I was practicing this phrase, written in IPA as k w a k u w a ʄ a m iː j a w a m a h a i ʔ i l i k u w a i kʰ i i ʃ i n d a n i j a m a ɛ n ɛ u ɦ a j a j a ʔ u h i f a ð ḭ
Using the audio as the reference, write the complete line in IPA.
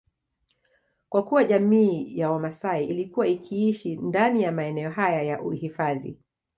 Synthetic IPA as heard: k w a k u w a ʄ a m iː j a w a m a s a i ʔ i l i k u w a i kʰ i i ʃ i n d a n i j a m a ɛ n ɛ ɔ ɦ a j a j a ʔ u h i f a ð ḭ